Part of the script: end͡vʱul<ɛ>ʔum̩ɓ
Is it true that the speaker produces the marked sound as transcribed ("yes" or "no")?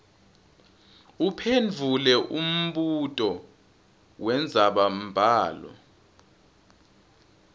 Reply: yes